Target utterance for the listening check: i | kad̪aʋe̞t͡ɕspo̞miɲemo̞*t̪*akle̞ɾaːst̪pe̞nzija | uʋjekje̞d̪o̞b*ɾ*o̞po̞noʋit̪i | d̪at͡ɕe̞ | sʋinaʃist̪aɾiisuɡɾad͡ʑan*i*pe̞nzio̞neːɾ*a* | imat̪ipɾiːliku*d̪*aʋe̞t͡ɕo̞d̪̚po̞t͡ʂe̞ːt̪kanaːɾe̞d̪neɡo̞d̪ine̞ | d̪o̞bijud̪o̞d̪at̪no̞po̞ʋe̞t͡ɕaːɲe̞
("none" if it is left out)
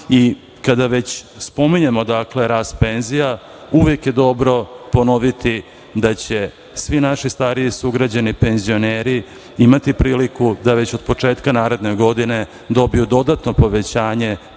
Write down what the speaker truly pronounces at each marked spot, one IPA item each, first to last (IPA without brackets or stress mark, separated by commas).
d̪, ɾ, i, i, d̪